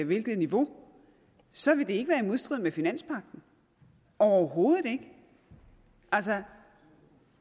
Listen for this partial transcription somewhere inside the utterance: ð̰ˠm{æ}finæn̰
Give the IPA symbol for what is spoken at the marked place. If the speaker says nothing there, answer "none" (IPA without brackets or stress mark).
e